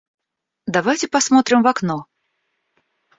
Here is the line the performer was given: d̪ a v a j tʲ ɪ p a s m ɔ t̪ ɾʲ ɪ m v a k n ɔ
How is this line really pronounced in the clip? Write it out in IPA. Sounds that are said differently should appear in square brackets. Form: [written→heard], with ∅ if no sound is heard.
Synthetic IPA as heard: d̪ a v a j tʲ ɪ p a s m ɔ t̪ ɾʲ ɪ m v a k n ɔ

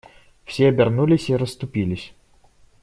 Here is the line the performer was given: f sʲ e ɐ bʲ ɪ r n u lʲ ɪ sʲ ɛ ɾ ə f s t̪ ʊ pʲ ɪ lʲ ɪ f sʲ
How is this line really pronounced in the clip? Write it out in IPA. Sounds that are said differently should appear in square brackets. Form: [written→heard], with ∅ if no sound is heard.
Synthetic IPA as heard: f sʲ e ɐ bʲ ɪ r n u lʲ ɪ sʲ [ɛ→i] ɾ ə [f→∅] s t̪ ʊ pʲ [ɪ→i] lʲ ɪ [f→∅] sʲ

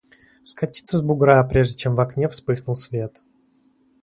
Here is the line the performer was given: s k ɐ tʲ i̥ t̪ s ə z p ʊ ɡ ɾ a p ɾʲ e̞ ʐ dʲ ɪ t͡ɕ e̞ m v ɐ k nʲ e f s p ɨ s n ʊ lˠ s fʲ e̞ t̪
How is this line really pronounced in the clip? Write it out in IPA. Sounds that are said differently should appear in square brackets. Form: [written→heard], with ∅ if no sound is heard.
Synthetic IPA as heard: s k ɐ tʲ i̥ t̪ s ə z [p→b] ʊ ɡ ɾ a p ɾʲ e̞ ʐ dʲ ɪ t͡ɕ e̞ m v ɐ k nʲ e f s p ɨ [s→x] n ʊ lˠ s [fʲ→vʲ] e̞ t̪

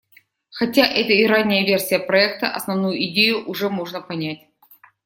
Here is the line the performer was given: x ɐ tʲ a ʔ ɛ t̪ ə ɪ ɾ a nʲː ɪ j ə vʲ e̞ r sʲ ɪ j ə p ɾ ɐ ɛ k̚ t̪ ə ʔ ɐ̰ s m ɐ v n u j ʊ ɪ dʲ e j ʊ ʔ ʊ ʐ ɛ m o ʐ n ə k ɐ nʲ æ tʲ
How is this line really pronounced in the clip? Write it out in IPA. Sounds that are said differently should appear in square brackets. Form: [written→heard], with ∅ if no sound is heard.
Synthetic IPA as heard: x ɐ tʲ a ʔ ɛ t̪ ə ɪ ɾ a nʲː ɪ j ə vʲ e̞ r sʲ ɪ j ə p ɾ ɐ ɛ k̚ t̪ ə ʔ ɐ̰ s [m→n] ɐ v n u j ʊ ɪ dʲ e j ʊ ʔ ʊ ʐ ɛ m o ʐ n ə [k→p] ɐ nʲ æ tʲ

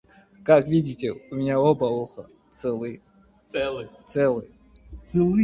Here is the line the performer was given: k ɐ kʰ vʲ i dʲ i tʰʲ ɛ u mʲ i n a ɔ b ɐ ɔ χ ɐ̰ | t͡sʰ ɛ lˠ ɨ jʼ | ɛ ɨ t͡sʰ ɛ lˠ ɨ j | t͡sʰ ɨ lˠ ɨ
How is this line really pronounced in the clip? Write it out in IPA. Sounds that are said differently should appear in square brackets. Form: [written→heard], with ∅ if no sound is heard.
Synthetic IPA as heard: k [ɐ→a] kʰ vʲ i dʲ i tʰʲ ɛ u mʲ i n a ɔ b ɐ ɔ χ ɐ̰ | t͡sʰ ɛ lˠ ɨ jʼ | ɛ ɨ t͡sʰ ɛ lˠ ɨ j | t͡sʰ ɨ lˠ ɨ

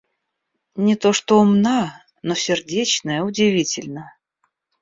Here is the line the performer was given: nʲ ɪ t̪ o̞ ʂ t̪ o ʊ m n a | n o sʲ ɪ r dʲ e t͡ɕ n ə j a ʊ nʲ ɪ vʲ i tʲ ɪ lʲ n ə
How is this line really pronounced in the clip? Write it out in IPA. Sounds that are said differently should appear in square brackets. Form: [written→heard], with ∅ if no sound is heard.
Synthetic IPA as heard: nʲ ɪ t̪ o̞ ʂ t̪ o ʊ m n a | n o sʲ ɪ r dʲ e t͡ɕ n ə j [a→ə] ʊ [nʲ→dʲ] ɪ vʲ i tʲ ɪ lʲ n ə

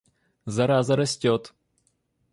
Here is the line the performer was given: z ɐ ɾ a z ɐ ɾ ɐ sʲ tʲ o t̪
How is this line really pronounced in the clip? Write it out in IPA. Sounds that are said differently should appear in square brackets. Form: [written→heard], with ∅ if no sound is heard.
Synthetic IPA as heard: z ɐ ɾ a z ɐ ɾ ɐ sʲ tʲ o t̪

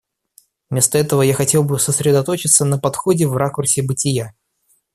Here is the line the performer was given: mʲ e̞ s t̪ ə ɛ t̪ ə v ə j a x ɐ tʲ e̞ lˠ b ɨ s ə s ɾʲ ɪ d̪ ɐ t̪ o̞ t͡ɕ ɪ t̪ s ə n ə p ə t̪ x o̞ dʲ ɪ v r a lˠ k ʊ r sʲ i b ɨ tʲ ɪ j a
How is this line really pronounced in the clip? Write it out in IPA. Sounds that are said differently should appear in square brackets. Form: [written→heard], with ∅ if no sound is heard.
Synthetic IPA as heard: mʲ e̞ s t̪ ə ɛ t̪ ə v ə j a x ɐ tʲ e̞ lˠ b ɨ s ə s ɾʲ ɪ d̪ ɐ t̪ o̞ t͡ɕ ɪ t̪ s ə n ə p [ə→ɐ] t̪ x o̞ dʲ ɪ v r a [lˠ→∅] k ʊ r sʲ [i→ɪ] b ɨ tʲ ɪ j a

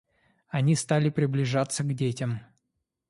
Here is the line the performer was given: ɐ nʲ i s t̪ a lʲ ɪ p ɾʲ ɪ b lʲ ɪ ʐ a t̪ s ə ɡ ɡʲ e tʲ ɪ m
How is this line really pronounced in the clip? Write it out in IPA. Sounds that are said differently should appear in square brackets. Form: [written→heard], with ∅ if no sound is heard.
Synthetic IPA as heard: ɐ nʲ i s t̪ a lʲ ɪ p ɾʲ ɪ b lʲ ɪ ʐ a t̪ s ə ɡ [ɡʲ→dʲ] e tʲ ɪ m

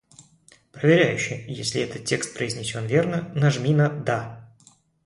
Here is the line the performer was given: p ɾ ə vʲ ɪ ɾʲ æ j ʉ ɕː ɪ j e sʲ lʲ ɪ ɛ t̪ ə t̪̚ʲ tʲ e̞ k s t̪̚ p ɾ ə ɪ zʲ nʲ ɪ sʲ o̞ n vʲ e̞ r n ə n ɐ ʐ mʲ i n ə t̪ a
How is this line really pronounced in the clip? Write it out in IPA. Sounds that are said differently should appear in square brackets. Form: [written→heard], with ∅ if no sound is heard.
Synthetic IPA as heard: p ɾ ə vʲ ɪ ɾʲ æ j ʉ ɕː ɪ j e sʲ lʲ ɪ ɛ t̪ ə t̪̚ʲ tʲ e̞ k s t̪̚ p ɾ ə ɪ zʲ nʲ ɪ sʲ o̞ n vʲ e̞ r n ə n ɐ ʐ mʲ i n ə [t̪→d̪] a

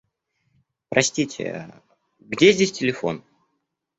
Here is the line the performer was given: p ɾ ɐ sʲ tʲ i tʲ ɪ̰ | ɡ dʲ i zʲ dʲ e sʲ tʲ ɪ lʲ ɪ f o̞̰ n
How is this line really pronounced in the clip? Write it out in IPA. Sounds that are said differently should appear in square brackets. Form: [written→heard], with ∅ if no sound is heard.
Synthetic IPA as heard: p ɾ ɐ sʲ tʲ i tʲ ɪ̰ | ɡ dʲ [i→e] zʲ dʲ e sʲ tʲ ɪ lʲ ɪ f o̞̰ n

